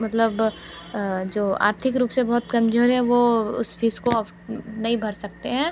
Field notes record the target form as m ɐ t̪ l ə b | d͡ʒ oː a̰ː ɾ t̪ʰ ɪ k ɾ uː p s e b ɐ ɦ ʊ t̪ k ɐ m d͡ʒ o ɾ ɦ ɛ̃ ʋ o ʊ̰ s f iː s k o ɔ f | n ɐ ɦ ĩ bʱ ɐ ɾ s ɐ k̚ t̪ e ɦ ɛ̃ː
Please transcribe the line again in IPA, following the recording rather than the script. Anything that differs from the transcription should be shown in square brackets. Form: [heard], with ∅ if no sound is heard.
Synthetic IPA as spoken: m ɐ t̪ l ə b | d͡ʒ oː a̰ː ɾ t̪ʰ ɪ k ɾ uː p s e b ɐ ɦ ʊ t̪ k ɐ m d͡ʒ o ɾ ɦ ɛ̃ ʋ o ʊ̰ s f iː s k o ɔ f | n ɐ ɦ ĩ bʱ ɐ ɾ s ɐ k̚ t̪ e ɦ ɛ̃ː